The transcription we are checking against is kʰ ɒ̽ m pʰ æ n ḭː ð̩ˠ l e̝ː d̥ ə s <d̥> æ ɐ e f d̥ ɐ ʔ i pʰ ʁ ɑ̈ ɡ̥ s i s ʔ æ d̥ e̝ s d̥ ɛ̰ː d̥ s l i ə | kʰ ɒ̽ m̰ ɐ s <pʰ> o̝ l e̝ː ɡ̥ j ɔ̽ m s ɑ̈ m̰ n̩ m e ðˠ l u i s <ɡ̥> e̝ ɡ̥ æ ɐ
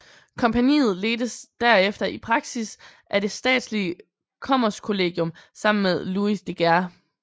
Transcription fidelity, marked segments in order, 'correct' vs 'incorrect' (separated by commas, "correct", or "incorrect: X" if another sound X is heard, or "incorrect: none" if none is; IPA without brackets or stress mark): correct, incorrect: kʰ, incorrect: d̥